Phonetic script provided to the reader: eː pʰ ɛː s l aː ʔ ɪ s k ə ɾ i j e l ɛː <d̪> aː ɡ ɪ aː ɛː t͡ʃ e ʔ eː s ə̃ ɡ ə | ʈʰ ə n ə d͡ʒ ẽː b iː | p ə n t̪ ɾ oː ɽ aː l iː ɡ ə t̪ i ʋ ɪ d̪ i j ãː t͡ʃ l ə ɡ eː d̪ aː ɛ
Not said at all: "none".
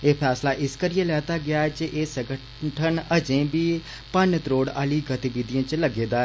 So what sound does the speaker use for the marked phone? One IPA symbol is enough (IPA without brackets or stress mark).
t̪